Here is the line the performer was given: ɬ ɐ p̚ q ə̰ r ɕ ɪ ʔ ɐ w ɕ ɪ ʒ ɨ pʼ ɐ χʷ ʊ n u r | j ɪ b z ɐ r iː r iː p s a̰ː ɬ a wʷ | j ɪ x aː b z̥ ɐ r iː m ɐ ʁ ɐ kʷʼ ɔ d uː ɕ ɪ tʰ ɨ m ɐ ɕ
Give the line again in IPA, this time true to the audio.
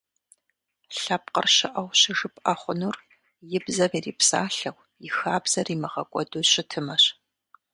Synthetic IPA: ɬ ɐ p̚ q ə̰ r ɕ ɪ ʔ ɐ w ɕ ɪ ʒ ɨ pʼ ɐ χʷ ʊ n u r | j ɪ b z ɐ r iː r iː p s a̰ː ɬ ɐ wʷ | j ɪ x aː b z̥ ɐ r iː m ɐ ʁ ɐ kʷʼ ɔ d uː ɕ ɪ tʰ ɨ m ɐ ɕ